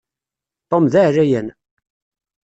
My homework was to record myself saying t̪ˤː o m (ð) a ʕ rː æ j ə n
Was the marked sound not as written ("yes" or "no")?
no